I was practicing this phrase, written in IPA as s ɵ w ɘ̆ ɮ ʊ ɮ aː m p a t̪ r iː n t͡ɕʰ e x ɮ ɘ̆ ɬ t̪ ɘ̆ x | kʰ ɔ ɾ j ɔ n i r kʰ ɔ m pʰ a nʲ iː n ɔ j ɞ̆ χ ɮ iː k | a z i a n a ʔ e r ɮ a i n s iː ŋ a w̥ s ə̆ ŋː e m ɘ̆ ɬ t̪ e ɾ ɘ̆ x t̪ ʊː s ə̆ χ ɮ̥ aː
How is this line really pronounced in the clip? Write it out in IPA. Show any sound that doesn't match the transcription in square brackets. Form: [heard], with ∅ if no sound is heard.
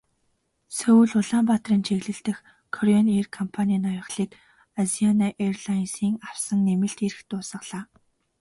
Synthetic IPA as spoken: s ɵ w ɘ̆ ɮ ʊ ɮ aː m p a t̪ r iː n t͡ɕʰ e [ɣ] ɮ ɘ̆ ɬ t̪ ɘ̆ x | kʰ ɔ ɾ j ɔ n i r kʰ ɔ m pʰ a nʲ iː n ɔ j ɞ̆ χ ɮ iː k | a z i a n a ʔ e r ɮ a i n s iː ŋ a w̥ s ə̆ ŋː e m ɘ̆ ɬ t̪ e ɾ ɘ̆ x t̪ ʊː s ə̆ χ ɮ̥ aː